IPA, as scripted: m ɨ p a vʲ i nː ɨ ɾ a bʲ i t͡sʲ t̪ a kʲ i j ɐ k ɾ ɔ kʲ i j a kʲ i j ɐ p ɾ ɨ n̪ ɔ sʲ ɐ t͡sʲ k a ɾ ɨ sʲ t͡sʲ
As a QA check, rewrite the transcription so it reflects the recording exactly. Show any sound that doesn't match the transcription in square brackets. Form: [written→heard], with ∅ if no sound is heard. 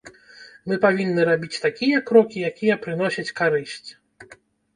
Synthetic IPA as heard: m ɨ p a vʲ i nː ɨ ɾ a bʲ i t͡sʲ t̪ a kʲ i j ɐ k ɾ ɔ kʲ i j a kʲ i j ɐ p ɾ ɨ n̪ ɔ sʲ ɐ t͡sʲ k a ɾ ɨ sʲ t͡sʲ